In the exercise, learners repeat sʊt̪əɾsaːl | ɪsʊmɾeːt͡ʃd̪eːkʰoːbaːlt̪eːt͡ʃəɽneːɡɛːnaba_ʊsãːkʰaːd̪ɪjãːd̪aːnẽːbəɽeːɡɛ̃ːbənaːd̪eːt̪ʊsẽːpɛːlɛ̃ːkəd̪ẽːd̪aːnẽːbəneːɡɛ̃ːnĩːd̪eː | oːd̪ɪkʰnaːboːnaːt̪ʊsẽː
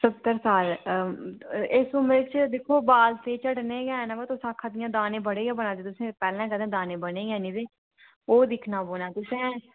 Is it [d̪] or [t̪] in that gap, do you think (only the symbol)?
t̪